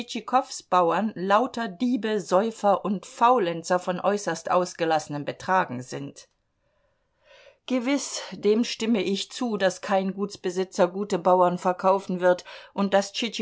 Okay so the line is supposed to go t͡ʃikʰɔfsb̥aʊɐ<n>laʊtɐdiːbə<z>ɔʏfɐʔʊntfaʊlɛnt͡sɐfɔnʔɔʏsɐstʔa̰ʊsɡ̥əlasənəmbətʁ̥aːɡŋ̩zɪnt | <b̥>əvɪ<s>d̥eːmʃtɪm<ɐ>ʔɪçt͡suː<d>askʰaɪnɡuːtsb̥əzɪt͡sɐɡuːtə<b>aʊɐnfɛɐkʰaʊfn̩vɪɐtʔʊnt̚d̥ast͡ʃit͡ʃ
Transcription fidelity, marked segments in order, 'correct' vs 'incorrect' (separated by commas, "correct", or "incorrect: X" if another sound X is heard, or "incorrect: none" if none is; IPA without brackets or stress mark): correct, correct, incorrect: ɡ̥, correct, incorrect: ə, correct, correct